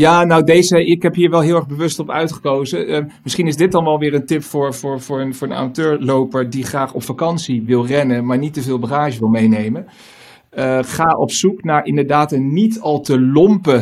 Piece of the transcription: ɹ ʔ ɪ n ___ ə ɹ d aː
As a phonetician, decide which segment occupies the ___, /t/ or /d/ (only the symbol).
d